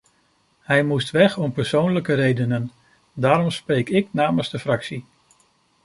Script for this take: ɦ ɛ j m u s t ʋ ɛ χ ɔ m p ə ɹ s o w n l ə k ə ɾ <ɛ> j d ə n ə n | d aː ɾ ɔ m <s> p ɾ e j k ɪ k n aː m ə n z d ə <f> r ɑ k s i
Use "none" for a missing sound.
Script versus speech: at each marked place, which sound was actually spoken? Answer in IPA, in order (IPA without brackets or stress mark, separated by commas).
e, s, f